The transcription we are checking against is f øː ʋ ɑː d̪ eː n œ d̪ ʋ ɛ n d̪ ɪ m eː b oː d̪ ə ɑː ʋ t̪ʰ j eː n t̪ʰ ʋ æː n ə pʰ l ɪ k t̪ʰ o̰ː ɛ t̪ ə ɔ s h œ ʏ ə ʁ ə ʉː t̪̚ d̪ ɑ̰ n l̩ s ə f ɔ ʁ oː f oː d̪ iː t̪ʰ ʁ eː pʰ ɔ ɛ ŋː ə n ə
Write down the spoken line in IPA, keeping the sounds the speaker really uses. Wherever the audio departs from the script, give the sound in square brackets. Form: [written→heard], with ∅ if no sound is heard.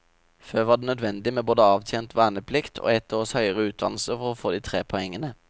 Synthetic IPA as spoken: f øː ʋ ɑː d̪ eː n œ d̪ ʋ ɛ n d̪ ɪ m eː b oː d̪ ə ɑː ʋ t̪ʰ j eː n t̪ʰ ʋ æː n ə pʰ l ɪ k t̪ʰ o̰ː ɛ t̪ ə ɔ s h œ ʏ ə ʁ ə ʉː t̪̚ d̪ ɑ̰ n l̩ s ə f ɔ ʁ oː f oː d̪ iː t̪ʰ ʁ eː pʰ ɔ ɛ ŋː ə n ə